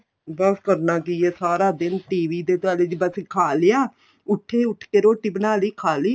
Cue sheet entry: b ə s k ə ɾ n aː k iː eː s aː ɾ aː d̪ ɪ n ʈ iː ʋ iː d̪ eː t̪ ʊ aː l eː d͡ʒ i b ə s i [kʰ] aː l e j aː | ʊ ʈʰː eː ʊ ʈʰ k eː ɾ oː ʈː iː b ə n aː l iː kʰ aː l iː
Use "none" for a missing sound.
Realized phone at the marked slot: kʰ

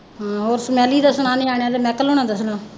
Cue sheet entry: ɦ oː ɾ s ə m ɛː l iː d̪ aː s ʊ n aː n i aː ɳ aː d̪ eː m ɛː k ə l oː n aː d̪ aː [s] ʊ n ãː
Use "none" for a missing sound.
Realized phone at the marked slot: s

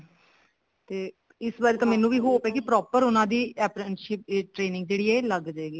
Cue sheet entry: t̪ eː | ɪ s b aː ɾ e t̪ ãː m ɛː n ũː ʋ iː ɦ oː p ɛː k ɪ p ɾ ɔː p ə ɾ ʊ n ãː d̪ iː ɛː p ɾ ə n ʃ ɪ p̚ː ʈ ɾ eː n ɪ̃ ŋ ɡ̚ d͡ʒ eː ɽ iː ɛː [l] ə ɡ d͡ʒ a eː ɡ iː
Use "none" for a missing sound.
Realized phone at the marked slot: l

